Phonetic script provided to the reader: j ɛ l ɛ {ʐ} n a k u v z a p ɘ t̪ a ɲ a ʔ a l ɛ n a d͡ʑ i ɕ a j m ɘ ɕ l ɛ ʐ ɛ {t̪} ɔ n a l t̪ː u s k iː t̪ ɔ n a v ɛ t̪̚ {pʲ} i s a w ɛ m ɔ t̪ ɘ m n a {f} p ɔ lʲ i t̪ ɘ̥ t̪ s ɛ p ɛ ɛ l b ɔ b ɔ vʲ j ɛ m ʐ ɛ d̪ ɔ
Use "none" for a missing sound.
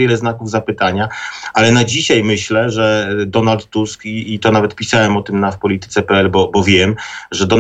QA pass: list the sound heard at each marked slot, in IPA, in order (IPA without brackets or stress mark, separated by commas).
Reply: z, d̪, pʲ, f